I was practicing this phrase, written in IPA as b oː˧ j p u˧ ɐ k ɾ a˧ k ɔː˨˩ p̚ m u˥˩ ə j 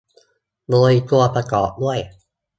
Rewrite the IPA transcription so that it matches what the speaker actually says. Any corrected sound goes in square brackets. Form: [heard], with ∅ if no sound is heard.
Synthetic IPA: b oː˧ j [k] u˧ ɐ [p] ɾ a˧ k ɔː˨˩ p̚ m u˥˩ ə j